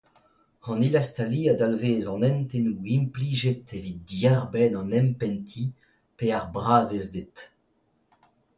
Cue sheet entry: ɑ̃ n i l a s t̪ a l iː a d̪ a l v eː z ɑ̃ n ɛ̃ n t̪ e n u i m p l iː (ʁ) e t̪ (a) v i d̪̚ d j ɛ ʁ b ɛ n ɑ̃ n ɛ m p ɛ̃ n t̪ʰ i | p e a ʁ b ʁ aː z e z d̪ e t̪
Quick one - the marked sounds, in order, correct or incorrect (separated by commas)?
incorrect, incorrect